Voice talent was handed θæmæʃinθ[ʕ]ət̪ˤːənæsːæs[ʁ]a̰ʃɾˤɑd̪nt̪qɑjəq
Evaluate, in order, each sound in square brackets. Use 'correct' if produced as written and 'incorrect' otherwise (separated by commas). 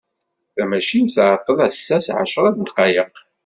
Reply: correct, incorrect